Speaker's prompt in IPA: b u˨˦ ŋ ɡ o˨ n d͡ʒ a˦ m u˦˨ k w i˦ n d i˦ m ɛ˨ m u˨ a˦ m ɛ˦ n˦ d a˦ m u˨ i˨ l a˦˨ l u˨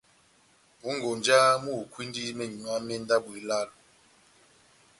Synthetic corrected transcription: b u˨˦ ŋ ɡ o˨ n d͡ʒ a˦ m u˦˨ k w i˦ n d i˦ m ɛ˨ ɲ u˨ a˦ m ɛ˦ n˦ d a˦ b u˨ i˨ l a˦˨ l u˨